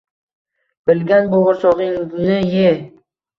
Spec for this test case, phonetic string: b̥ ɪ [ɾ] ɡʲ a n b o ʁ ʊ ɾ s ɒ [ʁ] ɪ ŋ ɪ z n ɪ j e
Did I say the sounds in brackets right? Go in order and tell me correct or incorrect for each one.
incorrect: l, correct

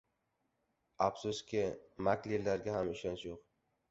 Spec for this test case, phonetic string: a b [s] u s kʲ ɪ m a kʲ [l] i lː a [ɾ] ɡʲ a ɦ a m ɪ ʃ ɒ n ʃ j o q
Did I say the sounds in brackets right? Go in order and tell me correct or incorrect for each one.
correct, correct, correct

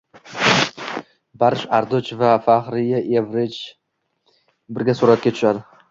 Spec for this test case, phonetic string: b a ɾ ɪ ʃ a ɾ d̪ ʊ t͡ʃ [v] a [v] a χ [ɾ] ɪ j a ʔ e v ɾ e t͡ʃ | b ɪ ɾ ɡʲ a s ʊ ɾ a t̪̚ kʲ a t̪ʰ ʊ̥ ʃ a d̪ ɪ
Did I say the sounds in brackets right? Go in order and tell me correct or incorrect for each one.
correct, incorrect: f, correct

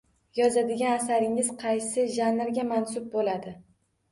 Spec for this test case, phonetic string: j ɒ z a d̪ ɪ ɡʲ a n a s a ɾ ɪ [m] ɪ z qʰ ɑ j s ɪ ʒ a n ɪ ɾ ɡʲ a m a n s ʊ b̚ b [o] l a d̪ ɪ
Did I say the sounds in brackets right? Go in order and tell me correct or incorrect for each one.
incorrect: ŋ, correct

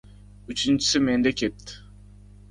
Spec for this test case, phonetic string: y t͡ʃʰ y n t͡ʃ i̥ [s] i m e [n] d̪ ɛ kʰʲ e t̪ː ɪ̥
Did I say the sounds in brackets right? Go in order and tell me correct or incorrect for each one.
correct, correct

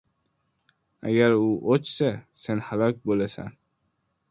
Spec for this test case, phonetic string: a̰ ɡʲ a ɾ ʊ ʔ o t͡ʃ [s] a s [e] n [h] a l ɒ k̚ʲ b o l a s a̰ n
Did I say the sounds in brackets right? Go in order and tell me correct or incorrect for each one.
correct, correct, correct

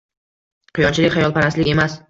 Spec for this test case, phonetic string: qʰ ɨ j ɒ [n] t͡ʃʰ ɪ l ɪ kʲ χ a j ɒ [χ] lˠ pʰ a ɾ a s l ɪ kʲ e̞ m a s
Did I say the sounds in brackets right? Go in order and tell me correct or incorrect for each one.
correct, incorrect: none

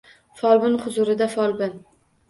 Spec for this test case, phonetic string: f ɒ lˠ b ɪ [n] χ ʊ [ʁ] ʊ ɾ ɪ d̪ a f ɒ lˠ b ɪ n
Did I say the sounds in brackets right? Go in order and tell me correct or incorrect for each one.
correct, incorrect: z

